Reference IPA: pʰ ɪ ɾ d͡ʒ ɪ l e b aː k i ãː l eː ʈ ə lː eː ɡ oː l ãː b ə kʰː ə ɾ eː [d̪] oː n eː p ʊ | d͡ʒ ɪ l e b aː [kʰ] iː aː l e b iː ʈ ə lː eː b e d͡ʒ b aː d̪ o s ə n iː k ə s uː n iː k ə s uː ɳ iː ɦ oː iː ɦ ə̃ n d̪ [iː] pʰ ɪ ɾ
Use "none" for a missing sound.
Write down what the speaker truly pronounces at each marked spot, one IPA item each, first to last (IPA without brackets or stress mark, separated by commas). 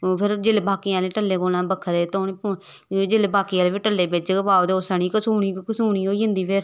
t̪, k, iː